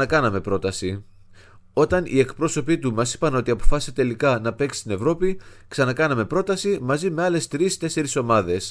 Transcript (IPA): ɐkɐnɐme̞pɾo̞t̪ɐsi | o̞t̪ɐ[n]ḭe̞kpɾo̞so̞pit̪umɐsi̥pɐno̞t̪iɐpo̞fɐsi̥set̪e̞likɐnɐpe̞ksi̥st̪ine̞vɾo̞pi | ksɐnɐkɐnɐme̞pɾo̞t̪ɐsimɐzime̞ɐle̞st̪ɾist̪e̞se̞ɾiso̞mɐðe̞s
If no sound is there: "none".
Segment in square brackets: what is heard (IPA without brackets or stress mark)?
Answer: n